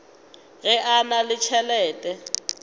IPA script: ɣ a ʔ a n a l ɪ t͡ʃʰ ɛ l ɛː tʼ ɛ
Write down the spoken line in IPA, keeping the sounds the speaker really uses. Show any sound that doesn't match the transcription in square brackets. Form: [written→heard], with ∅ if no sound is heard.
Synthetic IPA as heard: ɣ [a→ɛ] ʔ a n a l ɪ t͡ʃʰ ɛ l ɛː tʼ ɛ